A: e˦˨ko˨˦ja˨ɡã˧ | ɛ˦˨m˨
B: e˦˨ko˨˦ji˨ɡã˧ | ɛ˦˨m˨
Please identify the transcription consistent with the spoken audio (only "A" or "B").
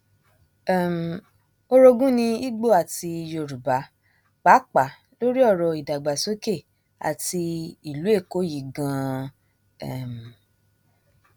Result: B